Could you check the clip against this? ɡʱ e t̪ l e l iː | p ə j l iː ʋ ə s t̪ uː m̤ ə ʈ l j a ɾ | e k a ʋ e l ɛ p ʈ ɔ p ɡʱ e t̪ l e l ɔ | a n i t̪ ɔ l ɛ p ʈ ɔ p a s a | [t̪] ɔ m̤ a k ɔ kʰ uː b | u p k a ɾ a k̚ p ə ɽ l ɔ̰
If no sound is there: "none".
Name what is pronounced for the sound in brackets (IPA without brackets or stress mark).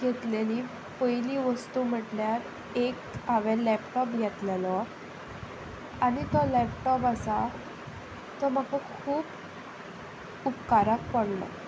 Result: t̪